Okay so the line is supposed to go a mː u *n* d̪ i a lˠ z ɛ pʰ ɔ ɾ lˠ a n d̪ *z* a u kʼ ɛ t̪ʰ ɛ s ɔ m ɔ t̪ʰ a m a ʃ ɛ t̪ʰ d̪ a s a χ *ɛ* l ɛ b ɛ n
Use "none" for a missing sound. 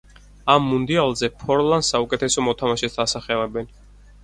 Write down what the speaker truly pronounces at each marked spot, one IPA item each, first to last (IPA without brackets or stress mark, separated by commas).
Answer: n, s, ɛ